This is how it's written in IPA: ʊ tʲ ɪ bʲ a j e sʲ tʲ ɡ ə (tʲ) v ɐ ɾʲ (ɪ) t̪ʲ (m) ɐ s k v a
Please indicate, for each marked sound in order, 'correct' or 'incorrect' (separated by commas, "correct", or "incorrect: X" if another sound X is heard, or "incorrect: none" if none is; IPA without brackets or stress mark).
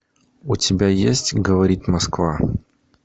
incorrect: none, incorrect: i, correct